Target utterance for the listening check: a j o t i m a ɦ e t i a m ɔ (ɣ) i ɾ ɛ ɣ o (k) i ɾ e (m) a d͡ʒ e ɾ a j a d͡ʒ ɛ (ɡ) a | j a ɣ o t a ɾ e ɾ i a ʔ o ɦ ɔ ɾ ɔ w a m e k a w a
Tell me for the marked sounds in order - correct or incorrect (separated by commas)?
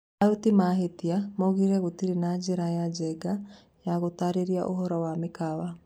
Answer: correct, incorrect, incorrect, correct